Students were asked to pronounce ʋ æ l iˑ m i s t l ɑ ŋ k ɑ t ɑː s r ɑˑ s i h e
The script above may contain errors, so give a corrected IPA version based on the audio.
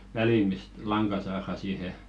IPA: ʋ æ l iˑ m i s t l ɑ ŋ k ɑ s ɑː r ɑˑ s iː h e